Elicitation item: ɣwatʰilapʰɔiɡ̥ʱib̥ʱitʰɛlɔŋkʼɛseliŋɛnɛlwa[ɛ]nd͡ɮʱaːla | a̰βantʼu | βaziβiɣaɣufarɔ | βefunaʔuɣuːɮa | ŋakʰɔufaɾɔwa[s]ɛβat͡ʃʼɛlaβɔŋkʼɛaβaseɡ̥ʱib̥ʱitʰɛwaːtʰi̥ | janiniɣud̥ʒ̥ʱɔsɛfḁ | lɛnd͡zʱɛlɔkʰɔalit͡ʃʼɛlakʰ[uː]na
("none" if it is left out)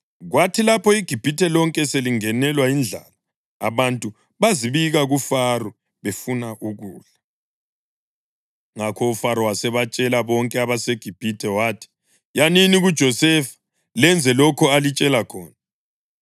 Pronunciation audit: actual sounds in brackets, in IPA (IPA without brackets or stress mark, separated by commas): i, s, ɔː